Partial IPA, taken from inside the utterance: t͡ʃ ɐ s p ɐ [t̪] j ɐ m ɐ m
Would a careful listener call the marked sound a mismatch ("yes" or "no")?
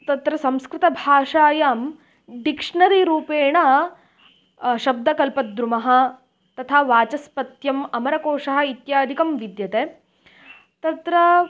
no